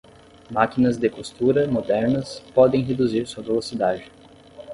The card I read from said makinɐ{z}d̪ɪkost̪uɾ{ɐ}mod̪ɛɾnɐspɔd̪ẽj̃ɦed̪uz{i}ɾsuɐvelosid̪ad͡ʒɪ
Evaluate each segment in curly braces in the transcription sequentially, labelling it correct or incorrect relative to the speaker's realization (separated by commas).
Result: correct, correct, correct